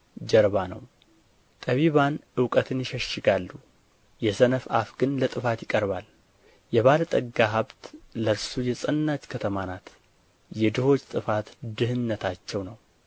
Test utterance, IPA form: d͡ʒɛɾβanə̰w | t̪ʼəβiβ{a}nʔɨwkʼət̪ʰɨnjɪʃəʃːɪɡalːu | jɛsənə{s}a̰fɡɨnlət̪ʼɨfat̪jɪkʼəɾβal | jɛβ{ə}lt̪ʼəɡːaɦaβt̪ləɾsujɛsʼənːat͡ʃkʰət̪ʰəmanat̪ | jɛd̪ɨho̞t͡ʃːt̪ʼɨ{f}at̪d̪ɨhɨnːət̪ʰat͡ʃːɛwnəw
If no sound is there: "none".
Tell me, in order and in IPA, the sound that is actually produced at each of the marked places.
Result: a, f, a, f

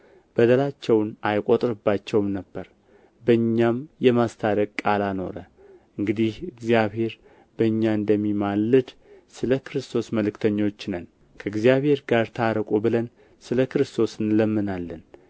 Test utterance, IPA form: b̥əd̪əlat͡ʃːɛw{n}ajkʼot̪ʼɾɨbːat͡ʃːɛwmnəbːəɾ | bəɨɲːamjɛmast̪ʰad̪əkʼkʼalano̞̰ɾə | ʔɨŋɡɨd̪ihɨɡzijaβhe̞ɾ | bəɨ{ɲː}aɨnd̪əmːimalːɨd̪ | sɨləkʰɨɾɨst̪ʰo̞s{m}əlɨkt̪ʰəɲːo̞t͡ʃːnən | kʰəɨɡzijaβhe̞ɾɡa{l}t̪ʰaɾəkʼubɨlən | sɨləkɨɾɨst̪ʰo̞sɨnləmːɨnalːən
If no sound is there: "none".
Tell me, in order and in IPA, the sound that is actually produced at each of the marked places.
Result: n, ɲː, m, ɾ

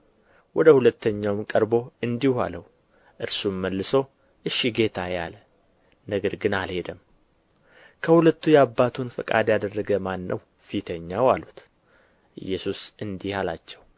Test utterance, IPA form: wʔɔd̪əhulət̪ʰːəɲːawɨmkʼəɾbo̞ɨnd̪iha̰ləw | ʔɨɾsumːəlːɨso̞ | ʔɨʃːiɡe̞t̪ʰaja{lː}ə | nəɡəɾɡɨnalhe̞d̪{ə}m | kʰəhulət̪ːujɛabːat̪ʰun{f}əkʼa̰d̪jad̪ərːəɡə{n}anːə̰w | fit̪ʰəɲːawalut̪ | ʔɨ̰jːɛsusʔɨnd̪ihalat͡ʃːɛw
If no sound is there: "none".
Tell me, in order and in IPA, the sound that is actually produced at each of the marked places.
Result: l, ə, f, m

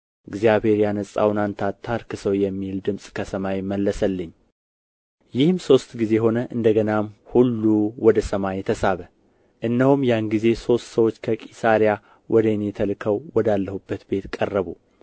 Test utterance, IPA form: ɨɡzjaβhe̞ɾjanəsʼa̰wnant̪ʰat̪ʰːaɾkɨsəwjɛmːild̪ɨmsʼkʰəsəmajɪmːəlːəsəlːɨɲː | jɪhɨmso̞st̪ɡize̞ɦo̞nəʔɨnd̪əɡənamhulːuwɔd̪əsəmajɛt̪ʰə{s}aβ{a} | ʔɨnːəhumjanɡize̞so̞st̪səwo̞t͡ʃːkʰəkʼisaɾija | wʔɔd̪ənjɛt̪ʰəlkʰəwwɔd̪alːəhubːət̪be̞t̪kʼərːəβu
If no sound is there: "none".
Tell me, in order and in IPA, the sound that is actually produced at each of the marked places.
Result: s, ə

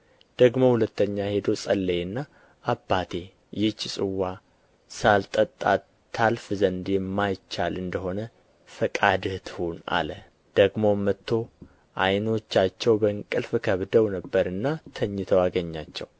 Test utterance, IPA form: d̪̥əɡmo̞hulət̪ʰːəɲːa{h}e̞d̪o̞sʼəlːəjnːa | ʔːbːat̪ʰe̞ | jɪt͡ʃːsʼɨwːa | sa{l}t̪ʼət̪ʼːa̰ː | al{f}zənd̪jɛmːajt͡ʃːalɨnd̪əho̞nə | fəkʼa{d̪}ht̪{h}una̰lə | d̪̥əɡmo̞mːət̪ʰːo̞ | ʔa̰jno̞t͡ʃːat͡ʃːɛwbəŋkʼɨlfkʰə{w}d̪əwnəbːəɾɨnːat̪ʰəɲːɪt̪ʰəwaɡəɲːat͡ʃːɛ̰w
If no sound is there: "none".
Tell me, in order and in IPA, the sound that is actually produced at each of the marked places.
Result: h, l, f, d̪, h, β

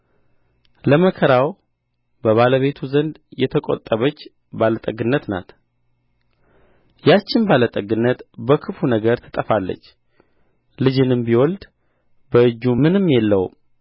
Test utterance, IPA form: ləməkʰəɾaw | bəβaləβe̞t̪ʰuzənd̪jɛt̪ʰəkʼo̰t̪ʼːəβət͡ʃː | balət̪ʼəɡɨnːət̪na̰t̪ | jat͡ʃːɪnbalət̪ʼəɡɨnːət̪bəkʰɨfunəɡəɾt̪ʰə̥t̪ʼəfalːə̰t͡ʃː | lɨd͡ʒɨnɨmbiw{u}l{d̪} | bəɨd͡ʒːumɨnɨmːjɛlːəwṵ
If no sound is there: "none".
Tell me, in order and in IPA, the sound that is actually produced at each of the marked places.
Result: ɔ, d̪

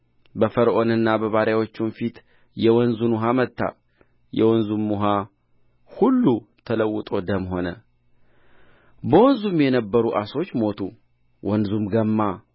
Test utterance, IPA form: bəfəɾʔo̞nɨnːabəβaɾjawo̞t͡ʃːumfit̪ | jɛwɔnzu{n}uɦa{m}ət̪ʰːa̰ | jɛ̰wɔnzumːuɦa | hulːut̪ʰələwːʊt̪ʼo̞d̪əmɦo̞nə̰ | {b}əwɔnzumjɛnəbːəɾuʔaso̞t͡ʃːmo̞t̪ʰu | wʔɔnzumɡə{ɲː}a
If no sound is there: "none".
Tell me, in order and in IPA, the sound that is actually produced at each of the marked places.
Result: n, m, b, mː

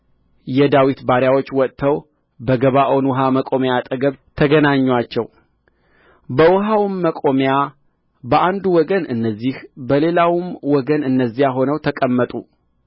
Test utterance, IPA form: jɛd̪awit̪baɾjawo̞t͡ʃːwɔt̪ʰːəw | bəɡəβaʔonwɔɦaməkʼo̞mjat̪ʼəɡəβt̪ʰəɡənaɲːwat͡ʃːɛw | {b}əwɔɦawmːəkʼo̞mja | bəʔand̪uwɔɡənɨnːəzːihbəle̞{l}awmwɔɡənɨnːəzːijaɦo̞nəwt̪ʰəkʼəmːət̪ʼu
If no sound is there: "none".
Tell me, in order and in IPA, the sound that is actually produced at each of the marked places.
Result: b, l

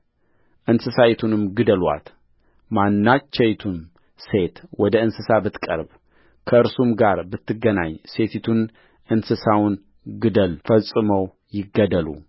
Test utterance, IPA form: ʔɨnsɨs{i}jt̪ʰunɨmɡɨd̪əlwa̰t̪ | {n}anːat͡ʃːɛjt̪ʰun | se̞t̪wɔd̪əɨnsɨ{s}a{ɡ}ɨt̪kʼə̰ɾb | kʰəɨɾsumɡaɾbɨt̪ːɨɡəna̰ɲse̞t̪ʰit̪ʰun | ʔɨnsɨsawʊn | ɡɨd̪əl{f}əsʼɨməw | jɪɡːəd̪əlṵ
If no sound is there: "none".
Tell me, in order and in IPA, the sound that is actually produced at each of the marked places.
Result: a, m, s, b, f

